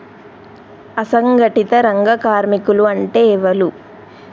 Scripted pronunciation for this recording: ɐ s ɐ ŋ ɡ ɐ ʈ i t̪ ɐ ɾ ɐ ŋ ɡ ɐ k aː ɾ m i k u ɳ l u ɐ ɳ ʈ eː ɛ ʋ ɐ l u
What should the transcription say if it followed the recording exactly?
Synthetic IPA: ɐ s ɐ ŋ ɡ ɐ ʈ i t̪ ɐ ɾ ɐ ŋ ɡ ɐ k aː ɾ m i k u l u ɐ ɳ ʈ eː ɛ ʋ ɐ l u